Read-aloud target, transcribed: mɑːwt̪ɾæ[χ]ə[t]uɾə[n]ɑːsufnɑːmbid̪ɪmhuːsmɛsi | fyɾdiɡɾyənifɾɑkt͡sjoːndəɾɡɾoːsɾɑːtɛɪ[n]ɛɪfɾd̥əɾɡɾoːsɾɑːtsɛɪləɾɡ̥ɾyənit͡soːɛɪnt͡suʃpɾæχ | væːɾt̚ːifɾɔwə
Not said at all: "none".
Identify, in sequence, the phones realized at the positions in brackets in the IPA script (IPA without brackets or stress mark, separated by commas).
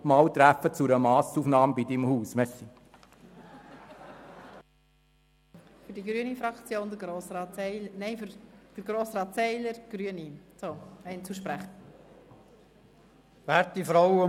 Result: f, t͡s, m, n